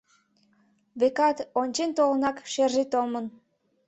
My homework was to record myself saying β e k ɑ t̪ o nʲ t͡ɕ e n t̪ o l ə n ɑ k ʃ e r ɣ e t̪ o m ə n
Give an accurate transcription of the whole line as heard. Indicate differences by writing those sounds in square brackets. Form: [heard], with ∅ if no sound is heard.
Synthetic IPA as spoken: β e k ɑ t̪ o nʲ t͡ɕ e n t̪ o l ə n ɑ k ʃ e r [ʒ] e t̪ o m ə n